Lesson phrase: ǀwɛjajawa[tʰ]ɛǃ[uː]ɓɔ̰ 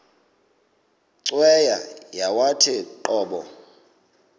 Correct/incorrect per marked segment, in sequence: correct, incorrect

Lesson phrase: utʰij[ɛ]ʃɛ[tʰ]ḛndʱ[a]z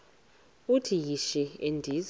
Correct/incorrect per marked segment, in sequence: incorrect, incorrect, incorrect

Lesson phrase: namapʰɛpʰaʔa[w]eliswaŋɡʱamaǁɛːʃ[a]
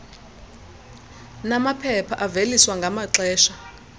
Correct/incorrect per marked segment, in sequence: incorrect, correct

